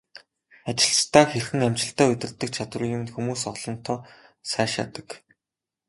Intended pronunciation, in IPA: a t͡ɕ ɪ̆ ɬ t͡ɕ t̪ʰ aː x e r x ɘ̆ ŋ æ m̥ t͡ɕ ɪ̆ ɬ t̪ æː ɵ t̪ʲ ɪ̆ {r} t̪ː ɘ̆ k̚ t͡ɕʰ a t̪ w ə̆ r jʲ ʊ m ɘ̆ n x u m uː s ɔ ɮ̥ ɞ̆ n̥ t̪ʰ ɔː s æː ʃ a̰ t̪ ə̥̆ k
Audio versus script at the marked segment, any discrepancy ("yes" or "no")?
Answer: no